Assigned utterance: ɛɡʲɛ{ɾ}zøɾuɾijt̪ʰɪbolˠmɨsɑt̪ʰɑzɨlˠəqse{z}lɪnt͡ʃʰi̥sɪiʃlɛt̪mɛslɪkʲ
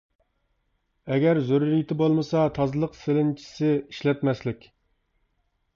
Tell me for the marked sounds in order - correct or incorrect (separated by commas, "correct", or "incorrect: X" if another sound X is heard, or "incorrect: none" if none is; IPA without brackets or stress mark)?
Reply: correct, incorrect: none